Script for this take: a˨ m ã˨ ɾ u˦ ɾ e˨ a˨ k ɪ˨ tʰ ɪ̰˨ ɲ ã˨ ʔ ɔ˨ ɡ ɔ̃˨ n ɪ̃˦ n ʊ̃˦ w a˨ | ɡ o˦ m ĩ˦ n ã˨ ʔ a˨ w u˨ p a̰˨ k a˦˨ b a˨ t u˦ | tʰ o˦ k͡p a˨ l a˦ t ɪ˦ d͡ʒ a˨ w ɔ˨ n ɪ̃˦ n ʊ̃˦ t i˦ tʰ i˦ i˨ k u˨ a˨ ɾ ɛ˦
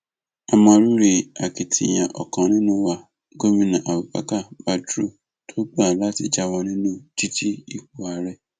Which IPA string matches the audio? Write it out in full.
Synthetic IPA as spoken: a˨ m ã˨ ɾ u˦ ɾ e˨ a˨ k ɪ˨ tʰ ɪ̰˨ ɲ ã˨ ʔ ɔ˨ k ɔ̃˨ n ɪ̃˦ n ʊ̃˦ w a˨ | ɡ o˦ m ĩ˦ n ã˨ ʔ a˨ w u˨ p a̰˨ k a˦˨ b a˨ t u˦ | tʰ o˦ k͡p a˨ l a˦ t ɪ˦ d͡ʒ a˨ w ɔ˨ n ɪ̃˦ n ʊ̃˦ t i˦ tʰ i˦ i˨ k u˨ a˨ ɾ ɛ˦

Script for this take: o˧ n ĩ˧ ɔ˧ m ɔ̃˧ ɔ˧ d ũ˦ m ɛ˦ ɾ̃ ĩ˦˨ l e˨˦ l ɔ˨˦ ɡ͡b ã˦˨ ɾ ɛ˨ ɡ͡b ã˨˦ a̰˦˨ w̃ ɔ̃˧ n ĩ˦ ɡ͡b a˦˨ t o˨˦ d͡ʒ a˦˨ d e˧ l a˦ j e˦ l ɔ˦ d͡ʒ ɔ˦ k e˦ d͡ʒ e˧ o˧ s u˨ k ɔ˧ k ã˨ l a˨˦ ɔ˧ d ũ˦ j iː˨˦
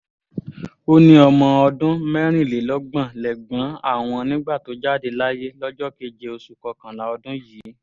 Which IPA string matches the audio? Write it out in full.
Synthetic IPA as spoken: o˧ n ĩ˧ ɔ˧ m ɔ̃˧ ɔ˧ d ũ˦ m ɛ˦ ɾ̃ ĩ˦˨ l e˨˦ l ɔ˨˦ ɡ͡b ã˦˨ l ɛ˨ ɡ͡b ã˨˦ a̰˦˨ w̃ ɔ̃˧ n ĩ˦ ɡ͡b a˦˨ t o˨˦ d͡ʒ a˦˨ d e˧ l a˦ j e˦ l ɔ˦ d͡ʒ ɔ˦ k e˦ d͡ʒ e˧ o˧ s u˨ k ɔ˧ k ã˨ l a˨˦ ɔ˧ d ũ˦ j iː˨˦

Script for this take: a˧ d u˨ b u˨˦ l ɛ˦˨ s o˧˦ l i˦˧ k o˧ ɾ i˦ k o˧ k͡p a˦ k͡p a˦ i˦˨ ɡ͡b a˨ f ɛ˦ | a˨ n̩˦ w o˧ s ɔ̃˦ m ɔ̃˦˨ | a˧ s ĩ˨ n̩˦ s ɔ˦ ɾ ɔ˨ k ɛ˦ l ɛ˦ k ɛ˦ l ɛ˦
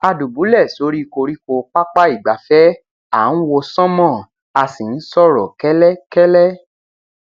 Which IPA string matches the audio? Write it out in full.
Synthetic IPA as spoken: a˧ d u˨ b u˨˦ l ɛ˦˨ s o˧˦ ɾ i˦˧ k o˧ ɾ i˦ k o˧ k͡p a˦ k͡p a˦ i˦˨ ɡ͡b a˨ f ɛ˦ | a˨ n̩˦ w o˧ s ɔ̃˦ m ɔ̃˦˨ | a˧ s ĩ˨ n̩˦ s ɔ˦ ɾ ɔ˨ k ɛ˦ l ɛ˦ k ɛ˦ l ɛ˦

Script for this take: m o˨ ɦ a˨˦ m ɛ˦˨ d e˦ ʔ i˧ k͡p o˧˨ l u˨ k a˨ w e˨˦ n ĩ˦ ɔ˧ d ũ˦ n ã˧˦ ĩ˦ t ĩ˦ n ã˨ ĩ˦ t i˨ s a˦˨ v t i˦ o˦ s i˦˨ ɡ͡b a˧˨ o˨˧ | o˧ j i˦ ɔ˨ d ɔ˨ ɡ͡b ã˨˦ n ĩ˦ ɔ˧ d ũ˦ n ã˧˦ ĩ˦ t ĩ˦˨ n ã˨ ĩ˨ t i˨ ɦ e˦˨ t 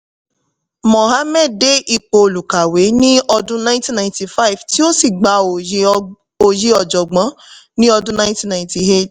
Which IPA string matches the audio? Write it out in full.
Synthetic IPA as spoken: m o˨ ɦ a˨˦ m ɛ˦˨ d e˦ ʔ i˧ k͡p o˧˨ l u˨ k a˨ w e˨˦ n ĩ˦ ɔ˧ d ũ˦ n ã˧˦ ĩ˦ t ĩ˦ n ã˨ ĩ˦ t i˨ f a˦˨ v t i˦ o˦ s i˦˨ ɡ͡b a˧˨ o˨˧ | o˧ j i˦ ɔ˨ d͡ʒ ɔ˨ ɡ͡b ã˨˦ n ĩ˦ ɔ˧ d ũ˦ n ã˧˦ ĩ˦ t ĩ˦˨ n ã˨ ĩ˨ t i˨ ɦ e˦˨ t

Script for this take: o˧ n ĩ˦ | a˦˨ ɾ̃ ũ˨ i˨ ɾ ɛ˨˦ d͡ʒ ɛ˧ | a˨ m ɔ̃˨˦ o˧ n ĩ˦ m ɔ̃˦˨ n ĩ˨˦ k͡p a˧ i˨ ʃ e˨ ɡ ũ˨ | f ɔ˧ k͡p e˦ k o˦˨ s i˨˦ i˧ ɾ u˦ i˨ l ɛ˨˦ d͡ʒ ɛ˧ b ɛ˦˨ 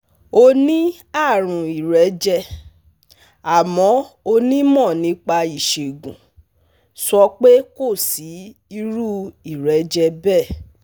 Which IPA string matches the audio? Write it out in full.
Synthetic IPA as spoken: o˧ n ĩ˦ | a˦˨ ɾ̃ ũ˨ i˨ ɾ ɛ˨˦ d͡ʒ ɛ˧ | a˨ m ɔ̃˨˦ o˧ n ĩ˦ m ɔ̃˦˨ n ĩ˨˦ k͡p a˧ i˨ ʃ e˨ ɡ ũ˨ | s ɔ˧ k͡p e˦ k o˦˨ s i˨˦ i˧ ɾ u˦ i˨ ɾ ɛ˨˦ d͡ʒ ɛ˧ b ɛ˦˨

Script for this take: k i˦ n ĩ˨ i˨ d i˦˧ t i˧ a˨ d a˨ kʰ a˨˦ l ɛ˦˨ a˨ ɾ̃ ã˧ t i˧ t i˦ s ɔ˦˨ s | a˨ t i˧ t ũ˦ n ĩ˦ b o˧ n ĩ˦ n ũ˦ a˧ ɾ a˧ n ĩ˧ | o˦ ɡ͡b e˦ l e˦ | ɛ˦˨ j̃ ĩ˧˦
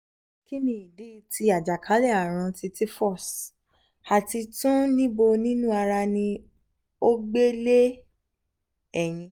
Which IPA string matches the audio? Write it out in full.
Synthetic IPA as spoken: k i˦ n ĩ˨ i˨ d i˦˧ t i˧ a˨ d͡ʒ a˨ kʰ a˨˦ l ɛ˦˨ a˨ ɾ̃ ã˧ t i˧ t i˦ f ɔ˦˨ s | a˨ t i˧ t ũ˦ n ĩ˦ b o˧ n ĩ˦ n ũ˦ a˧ ɾ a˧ n ĩ˧ | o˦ ɡ͡b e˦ l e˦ | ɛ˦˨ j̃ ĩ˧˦

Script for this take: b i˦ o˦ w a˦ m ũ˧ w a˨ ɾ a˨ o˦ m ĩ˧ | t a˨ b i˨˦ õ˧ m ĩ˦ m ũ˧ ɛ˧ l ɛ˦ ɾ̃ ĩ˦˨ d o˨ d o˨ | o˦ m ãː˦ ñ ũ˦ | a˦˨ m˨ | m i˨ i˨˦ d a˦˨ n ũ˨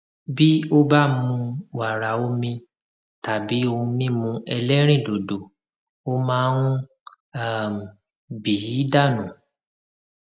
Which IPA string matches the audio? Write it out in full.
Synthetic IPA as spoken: b i˦ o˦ b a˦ m ũ˧ w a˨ ɾ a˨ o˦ m ĩ˧ | t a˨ b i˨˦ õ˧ m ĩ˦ m ũ˧ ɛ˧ l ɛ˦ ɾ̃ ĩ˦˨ d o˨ d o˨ | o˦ m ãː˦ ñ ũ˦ | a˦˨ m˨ | b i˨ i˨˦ d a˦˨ n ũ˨

